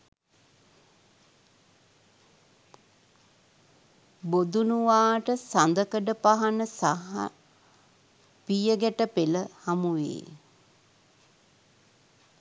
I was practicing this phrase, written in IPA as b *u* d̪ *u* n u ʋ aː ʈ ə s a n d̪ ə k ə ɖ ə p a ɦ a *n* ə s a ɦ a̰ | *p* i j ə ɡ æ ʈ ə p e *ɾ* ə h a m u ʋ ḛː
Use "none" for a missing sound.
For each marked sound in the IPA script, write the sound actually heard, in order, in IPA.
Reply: o, u, n, p, l

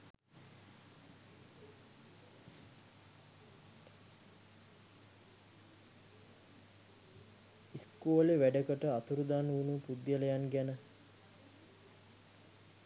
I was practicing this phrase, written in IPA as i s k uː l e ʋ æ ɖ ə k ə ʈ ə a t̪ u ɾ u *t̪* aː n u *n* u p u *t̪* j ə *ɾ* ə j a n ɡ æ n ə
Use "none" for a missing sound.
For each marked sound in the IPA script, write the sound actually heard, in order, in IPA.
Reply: d̪, n, d̪, l

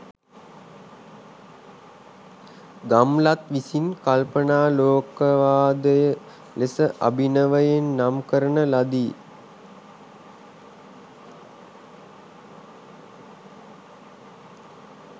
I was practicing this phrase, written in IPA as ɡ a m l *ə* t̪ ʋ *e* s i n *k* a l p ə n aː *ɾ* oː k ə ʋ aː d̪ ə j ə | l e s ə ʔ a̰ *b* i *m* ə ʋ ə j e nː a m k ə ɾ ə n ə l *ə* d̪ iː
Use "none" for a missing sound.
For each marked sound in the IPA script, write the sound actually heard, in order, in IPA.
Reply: a, i, k, l, b, n, a

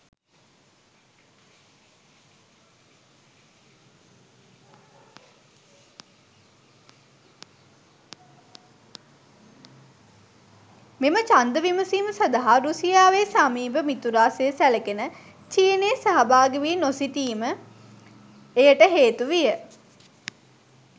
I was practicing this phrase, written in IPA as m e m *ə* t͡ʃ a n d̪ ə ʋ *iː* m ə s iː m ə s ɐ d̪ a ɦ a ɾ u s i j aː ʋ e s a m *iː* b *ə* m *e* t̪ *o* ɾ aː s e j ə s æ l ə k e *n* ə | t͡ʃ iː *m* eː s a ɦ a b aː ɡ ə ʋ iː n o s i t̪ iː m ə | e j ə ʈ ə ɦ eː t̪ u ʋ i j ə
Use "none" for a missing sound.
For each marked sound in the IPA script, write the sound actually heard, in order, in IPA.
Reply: ə, i, iː, ə, i, u, n, n

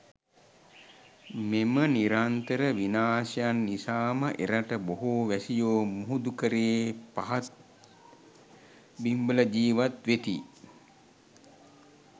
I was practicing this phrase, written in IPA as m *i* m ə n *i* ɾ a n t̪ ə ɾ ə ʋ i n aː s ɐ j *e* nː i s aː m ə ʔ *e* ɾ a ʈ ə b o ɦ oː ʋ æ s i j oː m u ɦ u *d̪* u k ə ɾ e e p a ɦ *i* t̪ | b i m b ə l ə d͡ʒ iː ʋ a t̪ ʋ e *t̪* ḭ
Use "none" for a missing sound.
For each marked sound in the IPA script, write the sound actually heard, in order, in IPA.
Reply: e, i, a, e, d̪, a, t̪

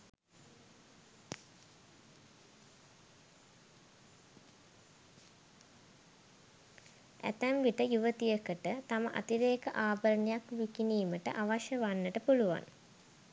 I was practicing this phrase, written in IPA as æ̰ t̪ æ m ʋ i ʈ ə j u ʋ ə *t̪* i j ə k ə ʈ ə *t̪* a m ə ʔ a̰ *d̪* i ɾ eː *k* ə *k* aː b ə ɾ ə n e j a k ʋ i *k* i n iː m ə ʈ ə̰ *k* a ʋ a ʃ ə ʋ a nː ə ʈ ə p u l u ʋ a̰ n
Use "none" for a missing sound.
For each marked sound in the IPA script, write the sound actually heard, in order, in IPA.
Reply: t̪, t̪, t̪, k, ʔ, k, ʔ

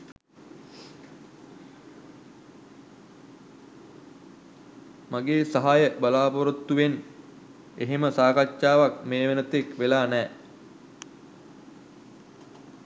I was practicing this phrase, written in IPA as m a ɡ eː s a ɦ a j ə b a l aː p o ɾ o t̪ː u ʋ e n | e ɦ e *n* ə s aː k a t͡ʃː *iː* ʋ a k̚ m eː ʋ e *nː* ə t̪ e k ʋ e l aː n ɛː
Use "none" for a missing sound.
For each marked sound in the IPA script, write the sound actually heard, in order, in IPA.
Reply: m, aː, n

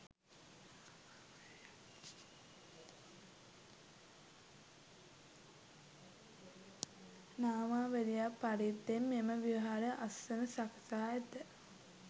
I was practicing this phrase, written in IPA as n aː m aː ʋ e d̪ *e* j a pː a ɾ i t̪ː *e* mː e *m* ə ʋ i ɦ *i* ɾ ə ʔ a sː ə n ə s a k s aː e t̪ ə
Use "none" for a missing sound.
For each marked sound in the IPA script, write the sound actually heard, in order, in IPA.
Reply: i, e, m, a

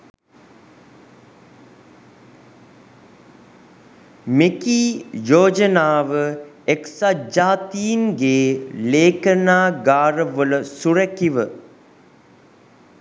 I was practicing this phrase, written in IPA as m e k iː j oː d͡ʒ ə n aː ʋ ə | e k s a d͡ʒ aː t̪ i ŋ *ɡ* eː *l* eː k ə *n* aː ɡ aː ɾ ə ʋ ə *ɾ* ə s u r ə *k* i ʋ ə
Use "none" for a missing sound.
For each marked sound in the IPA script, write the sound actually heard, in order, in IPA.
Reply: ɡ, l, n, l, k

